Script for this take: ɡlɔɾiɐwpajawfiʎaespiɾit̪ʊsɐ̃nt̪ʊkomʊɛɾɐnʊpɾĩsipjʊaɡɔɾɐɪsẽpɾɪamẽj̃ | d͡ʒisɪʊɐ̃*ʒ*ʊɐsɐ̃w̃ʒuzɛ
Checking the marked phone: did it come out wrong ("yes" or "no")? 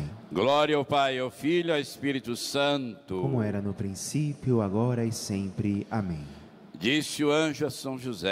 no